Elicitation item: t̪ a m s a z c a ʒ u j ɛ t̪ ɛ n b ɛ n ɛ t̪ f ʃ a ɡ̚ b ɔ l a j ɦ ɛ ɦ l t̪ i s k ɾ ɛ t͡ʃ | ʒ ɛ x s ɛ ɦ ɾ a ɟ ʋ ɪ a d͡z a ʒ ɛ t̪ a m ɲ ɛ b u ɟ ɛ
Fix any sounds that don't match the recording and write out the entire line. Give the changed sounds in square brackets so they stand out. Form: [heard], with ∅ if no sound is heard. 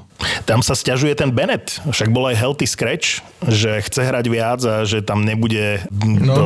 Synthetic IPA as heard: t̪ a m s a [s] c a ʒ u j ɛ t̪ ɛ n b ɛ n ɛ t̪ f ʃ a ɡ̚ b ɔ l a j ɦ ɛ [∅] l t̪ i s k ɾ ɛ t͡ʃ | ʒ ɛ x [t͡s] ɛ ɦ ɾ a ɟ ʋ ɪ a d͡z a ʒ ɛ t̪ a m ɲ ɛ b u ɟ ɛ